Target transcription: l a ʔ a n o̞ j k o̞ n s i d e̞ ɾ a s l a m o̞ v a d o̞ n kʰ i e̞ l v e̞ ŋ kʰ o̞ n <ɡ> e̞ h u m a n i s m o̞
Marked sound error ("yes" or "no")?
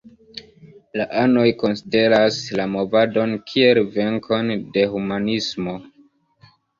yes